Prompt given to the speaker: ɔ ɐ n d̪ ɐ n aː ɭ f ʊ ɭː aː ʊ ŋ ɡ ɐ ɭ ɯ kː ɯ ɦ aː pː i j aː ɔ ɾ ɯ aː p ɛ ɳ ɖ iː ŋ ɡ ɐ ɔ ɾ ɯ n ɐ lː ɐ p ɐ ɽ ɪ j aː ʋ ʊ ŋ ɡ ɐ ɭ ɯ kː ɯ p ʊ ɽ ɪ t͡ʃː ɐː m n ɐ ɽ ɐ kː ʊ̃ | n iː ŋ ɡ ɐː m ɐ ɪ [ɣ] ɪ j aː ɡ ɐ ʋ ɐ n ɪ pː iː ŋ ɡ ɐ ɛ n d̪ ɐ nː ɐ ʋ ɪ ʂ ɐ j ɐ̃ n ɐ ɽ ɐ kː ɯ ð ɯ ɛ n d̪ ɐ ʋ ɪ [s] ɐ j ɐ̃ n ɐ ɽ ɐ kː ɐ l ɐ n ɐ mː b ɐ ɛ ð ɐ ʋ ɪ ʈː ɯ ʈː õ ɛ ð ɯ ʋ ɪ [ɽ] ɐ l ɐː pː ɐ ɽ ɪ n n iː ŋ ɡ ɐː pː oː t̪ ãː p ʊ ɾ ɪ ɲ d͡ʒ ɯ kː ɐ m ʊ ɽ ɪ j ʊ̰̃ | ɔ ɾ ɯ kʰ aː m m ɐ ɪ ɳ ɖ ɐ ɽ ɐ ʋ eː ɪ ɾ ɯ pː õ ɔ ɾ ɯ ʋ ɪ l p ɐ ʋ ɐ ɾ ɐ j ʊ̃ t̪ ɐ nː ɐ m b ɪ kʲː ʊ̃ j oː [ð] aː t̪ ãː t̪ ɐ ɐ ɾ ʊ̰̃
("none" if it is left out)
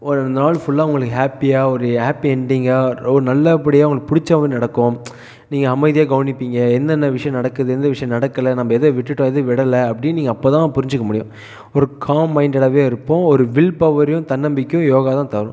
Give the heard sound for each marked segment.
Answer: ð, ʂ, ɽ, ɣ

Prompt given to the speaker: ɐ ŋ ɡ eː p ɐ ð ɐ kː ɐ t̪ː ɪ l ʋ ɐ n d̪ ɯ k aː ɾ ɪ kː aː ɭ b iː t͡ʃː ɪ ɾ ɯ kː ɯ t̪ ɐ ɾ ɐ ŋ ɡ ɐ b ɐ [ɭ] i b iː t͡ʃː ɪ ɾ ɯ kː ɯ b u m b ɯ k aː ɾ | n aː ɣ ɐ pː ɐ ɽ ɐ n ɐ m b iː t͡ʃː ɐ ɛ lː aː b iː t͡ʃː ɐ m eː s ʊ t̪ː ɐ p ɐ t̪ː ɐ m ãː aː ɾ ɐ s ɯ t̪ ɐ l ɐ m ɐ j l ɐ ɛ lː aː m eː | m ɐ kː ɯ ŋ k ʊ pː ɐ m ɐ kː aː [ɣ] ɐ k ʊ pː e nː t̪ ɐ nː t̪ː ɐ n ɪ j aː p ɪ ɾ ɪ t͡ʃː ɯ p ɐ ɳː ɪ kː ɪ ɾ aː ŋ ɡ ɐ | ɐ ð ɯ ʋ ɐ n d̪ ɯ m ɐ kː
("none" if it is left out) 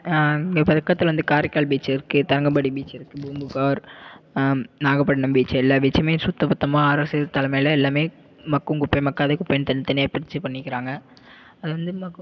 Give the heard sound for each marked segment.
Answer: ɽ, ð

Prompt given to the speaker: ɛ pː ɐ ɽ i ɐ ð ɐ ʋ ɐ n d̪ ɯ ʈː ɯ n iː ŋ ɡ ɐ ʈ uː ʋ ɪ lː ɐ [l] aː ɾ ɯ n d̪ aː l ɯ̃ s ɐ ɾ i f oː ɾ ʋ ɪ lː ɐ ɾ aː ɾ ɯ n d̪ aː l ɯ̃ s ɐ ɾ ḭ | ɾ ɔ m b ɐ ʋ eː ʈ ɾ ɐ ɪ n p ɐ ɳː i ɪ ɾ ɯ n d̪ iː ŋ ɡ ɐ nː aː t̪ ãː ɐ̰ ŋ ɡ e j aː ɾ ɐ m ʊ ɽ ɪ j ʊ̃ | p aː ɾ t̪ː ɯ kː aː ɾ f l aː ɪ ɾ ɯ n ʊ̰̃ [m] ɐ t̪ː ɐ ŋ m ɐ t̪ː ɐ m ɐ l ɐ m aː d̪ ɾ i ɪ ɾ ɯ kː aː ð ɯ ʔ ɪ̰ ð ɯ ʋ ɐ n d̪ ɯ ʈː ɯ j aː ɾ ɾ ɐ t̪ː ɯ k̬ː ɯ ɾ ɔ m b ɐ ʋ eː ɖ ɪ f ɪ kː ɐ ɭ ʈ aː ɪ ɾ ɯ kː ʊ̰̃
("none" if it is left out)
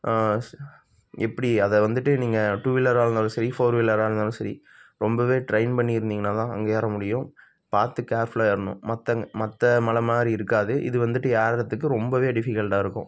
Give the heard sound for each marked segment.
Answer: ɾ, m

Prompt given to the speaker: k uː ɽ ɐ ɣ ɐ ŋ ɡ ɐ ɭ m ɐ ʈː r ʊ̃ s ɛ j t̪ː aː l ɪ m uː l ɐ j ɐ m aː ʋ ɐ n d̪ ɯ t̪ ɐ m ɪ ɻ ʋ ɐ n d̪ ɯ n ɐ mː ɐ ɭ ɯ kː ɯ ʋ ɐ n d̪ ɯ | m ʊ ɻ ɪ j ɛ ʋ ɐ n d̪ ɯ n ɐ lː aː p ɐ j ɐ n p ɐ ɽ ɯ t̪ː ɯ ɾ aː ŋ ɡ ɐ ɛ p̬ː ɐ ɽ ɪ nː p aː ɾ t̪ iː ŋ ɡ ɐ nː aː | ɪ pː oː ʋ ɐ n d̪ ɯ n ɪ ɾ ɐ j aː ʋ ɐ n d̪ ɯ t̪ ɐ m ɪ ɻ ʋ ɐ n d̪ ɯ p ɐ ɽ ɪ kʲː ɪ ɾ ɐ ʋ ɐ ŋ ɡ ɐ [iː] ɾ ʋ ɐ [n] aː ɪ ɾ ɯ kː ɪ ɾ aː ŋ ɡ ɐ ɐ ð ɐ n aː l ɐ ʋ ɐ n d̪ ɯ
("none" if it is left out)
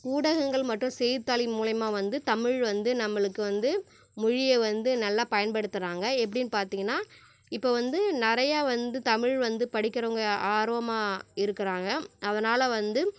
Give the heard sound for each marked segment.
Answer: aː, m

